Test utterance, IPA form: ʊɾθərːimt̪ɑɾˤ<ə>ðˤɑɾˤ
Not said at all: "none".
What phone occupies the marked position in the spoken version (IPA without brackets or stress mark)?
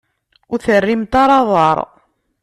ɑ